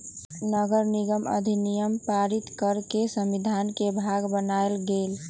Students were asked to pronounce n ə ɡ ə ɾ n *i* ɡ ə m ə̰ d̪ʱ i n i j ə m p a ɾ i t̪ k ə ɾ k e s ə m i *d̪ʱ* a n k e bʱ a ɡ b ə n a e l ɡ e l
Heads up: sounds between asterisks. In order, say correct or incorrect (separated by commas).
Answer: correct, correct